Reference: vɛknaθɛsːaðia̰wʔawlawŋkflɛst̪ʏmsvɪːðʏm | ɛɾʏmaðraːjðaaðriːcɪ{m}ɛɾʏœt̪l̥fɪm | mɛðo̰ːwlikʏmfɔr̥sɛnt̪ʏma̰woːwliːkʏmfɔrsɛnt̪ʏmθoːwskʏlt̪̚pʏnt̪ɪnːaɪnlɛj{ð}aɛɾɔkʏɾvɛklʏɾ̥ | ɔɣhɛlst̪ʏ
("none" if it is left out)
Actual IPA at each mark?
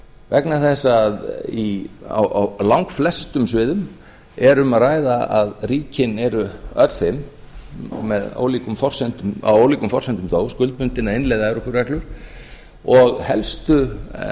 n, ð

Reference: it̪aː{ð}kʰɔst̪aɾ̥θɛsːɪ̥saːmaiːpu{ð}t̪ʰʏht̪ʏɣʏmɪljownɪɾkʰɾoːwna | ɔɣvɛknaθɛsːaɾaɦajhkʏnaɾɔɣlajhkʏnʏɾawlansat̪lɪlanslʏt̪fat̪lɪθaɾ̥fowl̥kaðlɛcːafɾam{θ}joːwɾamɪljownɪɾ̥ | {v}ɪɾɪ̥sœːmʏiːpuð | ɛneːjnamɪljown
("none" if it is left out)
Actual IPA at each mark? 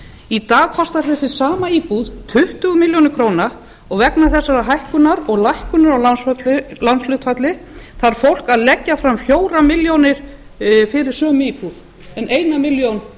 ɣ, ð, f, f

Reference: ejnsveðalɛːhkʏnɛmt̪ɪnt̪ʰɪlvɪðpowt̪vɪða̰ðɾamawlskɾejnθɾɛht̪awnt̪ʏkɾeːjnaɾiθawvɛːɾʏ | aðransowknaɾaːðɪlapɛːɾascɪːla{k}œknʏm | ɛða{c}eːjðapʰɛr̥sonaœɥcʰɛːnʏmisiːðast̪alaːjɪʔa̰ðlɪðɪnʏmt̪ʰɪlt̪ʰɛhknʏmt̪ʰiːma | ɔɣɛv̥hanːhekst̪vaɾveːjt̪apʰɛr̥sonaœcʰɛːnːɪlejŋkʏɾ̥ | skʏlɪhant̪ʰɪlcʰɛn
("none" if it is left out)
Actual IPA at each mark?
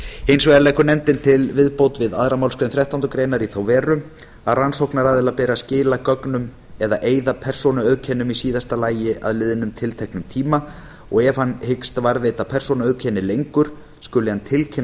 k, ʔ

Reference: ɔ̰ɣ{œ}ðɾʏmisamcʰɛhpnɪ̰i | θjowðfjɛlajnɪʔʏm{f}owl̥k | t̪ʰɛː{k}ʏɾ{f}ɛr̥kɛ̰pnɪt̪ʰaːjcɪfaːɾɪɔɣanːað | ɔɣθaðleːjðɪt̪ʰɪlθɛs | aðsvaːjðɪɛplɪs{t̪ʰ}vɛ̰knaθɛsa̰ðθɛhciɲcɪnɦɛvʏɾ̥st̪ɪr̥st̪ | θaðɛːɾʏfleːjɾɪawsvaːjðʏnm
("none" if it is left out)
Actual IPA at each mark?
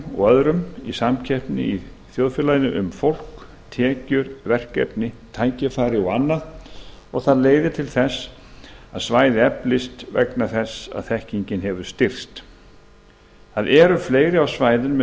œ, f, c, v, t̪

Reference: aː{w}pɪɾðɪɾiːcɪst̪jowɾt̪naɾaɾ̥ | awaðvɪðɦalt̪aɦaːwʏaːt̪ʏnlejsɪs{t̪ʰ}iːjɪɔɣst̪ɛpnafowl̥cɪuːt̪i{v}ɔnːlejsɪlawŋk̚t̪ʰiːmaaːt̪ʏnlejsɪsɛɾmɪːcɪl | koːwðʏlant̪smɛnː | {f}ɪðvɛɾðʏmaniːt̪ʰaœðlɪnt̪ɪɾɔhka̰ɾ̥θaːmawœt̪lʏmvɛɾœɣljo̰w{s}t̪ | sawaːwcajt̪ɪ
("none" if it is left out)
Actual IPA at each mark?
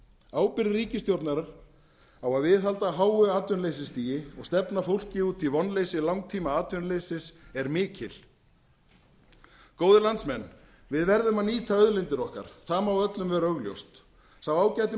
w, t̪, v, v, s

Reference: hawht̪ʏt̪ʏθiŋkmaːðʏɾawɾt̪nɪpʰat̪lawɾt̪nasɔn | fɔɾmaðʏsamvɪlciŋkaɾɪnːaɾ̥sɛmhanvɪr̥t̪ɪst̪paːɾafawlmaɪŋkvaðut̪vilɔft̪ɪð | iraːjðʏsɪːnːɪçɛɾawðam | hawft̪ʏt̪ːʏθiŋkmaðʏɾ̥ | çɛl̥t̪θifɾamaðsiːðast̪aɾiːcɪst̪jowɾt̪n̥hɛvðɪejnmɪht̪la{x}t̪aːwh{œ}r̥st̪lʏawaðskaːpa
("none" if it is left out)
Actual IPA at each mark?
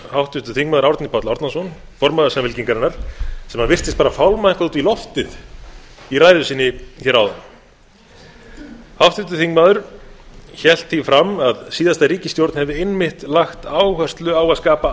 x, œ

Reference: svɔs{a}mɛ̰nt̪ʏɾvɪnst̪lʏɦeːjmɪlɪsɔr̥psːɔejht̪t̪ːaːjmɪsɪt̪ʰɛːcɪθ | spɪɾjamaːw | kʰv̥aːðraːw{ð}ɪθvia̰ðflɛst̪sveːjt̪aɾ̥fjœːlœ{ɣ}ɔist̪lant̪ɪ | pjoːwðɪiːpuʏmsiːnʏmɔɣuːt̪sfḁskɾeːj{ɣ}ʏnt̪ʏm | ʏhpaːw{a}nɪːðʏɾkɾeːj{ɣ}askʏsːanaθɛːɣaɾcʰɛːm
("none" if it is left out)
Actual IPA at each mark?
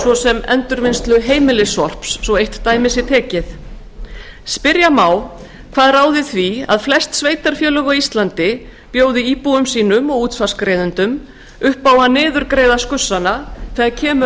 ɛ, ð, ɣ, ð, a, ð

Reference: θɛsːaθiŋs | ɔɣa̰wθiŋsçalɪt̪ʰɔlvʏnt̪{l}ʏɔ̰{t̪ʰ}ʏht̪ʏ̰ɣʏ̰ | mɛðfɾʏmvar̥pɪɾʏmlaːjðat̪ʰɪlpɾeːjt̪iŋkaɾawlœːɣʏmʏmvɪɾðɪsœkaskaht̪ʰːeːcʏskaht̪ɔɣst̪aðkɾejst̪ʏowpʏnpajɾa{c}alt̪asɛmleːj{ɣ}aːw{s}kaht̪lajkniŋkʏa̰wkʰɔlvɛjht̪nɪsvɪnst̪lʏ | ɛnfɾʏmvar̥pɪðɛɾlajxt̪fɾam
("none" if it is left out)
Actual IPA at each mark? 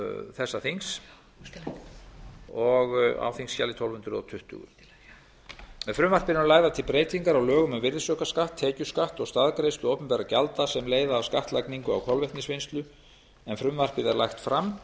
ɾ, t̪ʰ, c, ð, s

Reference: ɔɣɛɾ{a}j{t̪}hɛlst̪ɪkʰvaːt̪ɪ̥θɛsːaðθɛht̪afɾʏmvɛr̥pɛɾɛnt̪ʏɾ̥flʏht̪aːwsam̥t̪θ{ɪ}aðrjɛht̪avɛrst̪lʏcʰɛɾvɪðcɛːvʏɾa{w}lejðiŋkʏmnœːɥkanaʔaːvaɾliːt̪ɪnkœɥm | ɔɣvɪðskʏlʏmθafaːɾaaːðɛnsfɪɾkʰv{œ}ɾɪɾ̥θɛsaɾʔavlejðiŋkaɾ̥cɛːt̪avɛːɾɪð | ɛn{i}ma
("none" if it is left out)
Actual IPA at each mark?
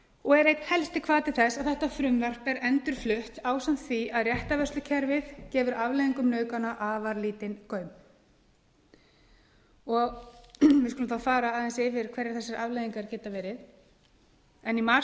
e, t̪, i, v, ɛ, i

